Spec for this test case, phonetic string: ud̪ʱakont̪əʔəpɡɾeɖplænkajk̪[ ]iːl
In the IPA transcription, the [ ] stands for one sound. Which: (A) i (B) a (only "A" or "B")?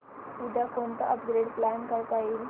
B